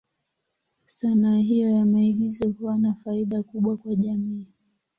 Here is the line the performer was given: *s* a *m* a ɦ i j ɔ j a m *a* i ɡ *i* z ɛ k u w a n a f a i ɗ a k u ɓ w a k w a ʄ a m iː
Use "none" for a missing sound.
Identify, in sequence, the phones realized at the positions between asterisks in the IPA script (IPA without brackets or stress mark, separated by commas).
s, n, a, i